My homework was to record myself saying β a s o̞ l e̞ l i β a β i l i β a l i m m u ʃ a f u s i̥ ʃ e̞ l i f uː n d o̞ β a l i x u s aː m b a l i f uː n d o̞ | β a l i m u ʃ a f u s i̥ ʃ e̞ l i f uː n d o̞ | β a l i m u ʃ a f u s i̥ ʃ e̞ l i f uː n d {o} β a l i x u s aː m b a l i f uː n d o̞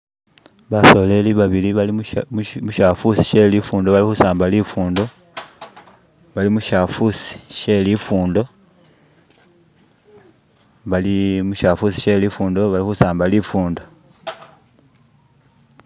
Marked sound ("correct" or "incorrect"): correct